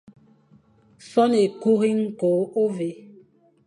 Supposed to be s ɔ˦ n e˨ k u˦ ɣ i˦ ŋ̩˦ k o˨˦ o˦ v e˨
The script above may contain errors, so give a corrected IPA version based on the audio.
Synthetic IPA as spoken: s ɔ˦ n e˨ k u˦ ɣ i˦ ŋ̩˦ k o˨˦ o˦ v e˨